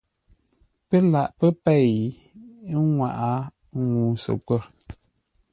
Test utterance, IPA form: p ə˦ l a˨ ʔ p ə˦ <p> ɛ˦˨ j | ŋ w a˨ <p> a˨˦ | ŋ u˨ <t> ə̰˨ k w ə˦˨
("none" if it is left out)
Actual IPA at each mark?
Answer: p, ʔ, s

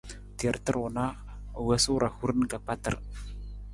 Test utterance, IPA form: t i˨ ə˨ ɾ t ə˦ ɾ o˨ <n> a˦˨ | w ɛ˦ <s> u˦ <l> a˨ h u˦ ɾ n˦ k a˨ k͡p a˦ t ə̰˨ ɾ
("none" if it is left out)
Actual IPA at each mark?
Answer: n, s, ɾ

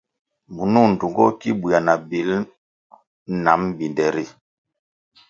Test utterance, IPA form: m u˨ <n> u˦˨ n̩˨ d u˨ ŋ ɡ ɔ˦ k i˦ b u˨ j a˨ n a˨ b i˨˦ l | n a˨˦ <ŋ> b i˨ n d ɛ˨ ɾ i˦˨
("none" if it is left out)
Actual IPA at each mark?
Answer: n, m

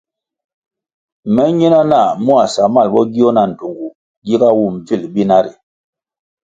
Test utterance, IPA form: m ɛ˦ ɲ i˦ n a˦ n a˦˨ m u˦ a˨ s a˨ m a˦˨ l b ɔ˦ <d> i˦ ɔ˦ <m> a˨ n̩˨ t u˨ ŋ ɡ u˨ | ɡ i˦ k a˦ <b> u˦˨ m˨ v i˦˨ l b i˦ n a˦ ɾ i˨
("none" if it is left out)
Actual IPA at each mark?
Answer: ɡ, n, w

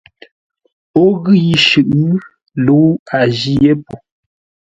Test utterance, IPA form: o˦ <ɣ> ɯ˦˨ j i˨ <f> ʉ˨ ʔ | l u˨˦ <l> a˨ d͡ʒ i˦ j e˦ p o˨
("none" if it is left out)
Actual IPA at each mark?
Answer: ɣ, ʃ, none

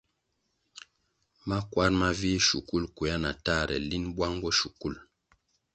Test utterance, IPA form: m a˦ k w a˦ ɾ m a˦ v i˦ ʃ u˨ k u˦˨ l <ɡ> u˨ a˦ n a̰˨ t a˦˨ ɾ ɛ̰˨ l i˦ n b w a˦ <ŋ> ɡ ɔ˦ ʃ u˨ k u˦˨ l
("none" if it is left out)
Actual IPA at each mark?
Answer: k, ŋ

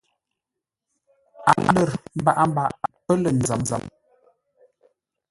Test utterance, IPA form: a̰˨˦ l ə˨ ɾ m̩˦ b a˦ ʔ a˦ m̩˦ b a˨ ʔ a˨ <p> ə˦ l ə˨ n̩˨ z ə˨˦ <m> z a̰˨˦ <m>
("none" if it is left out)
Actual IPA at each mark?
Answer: p, m, m

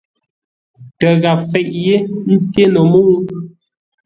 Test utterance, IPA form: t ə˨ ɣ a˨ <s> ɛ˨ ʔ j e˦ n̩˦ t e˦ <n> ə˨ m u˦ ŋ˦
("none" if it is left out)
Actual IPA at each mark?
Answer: f, n

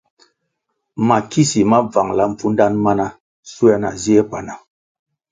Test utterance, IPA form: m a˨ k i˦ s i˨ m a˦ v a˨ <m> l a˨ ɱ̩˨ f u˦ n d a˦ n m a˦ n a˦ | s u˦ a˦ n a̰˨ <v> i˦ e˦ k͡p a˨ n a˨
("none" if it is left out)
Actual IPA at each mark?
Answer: ŋ, z

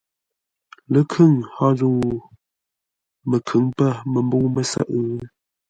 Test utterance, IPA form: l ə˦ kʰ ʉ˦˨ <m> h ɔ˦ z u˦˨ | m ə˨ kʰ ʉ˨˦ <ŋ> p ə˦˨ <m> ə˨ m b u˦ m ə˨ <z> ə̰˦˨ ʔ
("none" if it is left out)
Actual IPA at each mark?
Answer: ŋ, ŋ, m, s

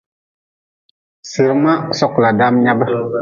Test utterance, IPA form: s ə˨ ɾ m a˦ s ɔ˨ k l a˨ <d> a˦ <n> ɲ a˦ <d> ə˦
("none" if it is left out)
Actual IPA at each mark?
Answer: d, m, b

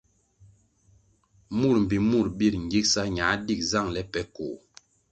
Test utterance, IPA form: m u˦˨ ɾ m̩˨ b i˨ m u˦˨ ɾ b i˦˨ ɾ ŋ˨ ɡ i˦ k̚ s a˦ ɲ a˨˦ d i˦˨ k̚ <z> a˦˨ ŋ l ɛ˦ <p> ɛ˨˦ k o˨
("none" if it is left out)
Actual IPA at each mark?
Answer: z, p

